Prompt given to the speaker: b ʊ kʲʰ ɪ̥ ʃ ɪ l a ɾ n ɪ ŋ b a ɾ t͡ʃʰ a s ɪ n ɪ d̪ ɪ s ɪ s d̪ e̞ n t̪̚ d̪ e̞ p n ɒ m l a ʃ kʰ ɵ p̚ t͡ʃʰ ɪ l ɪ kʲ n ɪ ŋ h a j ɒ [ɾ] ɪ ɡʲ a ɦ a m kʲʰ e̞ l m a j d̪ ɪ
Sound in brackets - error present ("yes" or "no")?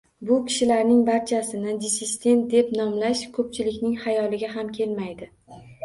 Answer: yes